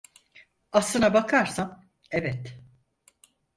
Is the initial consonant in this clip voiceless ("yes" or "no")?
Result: yes